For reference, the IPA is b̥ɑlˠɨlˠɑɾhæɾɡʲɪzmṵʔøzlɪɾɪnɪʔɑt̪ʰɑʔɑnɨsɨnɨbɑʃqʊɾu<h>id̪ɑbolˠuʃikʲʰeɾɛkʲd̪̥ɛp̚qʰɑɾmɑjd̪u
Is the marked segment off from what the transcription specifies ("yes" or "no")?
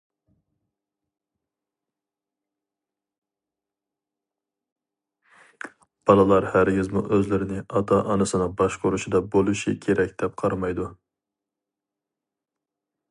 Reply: yes